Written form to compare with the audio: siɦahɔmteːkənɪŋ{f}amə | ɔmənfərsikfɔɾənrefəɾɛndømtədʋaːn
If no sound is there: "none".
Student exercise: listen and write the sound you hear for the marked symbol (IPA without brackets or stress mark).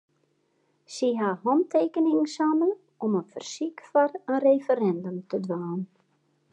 s